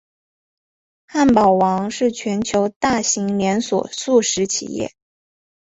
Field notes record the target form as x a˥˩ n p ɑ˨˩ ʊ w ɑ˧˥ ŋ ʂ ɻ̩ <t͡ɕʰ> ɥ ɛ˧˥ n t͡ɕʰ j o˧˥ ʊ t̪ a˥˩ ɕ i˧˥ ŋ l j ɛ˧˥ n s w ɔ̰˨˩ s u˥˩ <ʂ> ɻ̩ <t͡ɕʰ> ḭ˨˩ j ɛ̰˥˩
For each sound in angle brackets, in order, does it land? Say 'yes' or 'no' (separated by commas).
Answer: yes, yes, yes